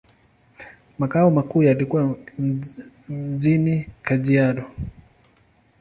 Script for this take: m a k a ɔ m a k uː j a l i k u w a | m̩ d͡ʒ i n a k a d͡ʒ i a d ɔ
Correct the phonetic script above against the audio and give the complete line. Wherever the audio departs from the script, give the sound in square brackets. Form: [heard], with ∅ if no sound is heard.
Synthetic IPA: m a k a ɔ m a k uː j a l i k u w a | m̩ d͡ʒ i n [i] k a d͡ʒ i a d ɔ